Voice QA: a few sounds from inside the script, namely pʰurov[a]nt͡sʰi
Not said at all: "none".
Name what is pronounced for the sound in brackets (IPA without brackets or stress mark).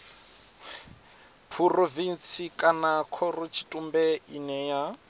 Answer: i